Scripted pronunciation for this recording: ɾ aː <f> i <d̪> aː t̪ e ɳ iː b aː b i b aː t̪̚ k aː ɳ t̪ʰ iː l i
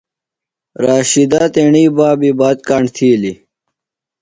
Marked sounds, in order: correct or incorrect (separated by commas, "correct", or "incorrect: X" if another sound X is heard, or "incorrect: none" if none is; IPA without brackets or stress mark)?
incorrect: ɕ, correct